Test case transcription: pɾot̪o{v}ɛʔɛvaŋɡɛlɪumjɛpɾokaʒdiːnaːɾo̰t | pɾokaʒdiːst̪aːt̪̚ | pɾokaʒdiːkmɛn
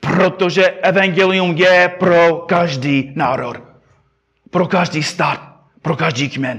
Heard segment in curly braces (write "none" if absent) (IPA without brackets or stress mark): ʒ